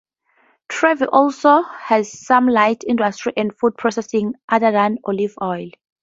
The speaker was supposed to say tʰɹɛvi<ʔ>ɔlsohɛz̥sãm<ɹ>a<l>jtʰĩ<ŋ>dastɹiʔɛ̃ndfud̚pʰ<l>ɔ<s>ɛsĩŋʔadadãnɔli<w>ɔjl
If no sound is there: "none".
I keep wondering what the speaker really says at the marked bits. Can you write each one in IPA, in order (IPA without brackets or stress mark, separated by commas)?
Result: ʔ, l, none, n, ɹ, s, v